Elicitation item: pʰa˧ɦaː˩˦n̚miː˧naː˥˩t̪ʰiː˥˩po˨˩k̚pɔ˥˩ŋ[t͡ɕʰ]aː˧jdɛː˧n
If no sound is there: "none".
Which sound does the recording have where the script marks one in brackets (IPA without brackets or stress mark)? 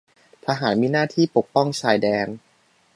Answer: t͡ɕʰ